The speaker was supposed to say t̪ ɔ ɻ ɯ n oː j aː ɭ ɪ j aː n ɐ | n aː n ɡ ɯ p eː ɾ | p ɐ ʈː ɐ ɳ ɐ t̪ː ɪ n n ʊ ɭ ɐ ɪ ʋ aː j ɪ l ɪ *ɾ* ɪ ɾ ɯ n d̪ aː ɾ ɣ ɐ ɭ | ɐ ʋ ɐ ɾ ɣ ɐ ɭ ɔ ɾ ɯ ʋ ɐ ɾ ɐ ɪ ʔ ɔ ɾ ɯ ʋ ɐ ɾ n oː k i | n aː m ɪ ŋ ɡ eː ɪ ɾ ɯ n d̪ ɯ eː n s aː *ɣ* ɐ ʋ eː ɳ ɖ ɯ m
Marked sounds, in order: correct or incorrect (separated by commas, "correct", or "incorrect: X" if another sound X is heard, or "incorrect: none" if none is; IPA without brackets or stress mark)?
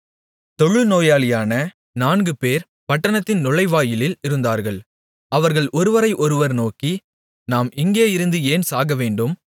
incorrect: l, correct